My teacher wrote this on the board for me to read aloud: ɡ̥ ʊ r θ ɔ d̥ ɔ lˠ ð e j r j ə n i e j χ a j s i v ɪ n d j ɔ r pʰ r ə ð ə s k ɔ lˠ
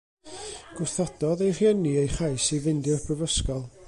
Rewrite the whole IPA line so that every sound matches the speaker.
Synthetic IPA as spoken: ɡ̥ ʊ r θ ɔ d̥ ɔ ð e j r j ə n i e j χ a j s i v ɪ n d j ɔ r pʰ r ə v ə s k ɔ lˠ